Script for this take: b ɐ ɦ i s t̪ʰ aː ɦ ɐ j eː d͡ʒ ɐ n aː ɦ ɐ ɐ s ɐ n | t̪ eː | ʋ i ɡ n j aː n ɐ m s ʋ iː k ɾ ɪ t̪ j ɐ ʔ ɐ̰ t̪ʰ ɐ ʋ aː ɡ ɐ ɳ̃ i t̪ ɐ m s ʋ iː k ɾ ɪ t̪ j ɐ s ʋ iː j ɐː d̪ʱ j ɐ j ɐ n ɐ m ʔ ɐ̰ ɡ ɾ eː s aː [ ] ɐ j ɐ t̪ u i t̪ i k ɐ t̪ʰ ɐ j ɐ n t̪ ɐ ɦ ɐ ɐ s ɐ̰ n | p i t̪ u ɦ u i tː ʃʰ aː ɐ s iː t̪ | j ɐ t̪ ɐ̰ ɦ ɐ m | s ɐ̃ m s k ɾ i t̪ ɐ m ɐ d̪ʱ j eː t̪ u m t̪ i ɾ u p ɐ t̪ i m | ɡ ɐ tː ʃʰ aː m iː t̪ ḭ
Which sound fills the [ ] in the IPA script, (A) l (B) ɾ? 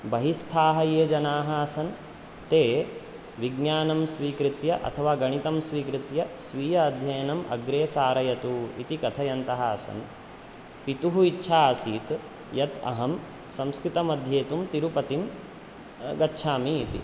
B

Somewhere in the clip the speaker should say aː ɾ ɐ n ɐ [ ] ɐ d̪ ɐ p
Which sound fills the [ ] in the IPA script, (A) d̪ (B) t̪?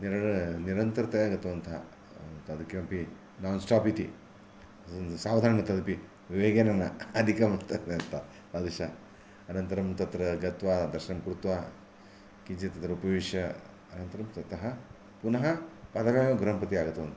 B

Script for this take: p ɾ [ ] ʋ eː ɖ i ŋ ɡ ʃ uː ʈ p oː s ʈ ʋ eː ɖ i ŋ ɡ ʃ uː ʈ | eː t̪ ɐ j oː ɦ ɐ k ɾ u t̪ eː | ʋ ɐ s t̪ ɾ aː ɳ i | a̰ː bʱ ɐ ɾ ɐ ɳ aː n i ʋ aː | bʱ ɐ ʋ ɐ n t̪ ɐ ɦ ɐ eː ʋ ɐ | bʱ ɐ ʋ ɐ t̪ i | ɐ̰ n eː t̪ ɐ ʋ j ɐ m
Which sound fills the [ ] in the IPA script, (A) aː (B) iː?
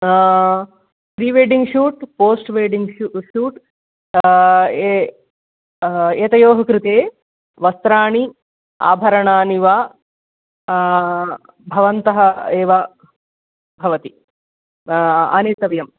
B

